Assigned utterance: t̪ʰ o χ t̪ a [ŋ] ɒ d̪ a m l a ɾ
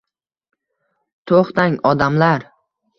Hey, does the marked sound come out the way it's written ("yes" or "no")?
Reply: yes